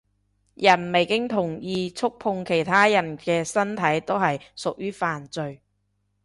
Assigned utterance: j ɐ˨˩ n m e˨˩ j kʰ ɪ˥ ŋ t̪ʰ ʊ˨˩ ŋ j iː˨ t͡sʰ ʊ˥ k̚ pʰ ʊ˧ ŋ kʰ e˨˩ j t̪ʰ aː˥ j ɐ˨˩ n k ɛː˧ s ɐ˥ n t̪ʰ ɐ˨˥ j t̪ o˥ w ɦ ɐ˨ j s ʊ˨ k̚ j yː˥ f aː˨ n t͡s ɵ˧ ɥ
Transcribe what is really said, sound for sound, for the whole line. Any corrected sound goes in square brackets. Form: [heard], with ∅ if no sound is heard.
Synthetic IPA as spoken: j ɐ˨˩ n m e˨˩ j [k] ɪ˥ ŋ t̪ʰ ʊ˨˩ ŋ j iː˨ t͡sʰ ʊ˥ k̚ pʰ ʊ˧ ŋ kʰ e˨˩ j t̪ʰ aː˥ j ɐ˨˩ n k ɛː˧ s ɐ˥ n t̪ʰ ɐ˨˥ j t̪ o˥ w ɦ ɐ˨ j s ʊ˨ k̚ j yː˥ f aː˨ n t͡s ɵ˧ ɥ